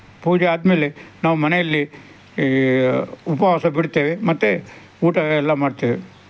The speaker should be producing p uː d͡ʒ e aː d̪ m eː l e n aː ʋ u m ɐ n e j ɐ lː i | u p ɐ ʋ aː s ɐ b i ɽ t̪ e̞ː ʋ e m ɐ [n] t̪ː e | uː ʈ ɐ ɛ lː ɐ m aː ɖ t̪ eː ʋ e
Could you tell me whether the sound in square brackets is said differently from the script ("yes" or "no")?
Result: yes